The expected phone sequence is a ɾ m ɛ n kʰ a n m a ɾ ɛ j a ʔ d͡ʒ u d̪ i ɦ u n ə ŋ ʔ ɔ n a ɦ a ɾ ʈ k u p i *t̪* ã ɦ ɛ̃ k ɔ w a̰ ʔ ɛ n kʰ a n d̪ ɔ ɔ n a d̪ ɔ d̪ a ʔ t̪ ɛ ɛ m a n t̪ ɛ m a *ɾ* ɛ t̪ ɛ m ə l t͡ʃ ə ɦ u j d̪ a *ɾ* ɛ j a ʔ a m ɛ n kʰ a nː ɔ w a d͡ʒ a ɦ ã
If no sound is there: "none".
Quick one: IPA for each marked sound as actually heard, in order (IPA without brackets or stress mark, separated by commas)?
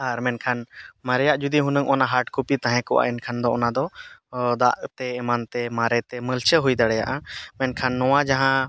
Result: t̪, ɾ, ɽ